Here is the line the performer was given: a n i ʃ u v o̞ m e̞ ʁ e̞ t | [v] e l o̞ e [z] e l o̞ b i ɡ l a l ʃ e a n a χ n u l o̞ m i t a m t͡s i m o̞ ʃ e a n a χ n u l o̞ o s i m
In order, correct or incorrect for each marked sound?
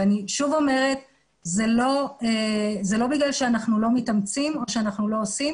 incorrect: z, correct

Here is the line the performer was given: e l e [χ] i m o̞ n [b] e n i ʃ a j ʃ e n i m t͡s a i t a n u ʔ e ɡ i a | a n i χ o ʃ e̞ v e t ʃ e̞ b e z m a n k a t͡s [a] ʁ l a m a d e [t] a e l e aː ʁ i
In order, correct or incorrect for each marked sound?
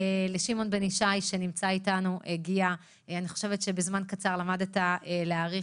incorrect: ʃ, correct, correct, correct

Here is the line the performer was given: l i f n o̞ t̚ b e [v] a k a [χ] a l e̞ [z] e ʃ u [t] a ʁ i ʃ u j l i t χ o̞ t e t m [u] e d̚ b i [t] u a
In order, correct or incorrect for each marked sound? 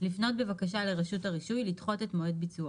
correct, incorrect: ʃ, incorrect: ʁ, correct, incorrect: o, incorrect: t͡s

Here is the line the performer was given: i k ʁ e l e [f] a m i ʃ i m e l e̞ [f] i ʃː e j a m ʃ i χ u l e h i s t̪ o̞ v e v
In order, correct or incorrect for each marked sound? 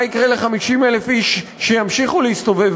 incorrect: χ, correct

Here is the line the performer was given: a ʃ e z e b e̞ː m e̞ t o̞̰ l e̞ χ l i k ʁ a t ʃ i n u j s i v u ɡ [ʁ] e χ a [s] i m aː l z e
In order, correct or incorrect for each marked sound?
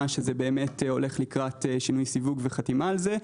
incorrect: v, incorrect: t

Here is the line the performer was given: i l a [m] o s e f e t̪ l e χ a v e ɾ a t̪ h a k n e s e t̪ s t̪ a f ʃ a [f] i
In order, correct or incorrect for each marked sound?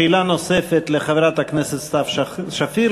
incorrect: n, correct

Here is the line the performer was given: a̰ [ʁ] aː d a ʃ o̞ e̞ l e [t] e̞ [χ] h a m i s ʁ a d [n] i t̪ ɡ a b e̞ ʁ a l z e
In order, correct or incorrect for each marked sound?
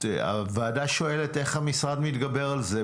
incorrect: v, correct, correct, incorrect: m

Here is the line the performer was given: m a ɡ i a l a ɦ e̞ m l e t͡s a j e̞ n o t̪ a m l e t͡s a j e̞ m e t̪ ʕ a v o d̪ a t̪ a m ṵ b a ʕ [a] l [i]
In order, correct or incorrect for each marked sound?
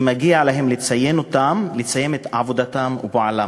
correct, incorrect: a

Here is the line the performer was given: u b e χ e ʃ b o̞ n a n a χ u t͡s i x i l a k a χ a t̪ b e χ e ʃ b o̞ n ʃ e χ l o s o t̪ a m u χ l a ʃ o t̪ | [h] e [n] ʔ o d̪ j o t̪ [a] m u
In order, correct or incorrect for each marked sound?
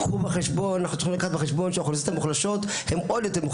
correct, incorrect: m, incorrect: e

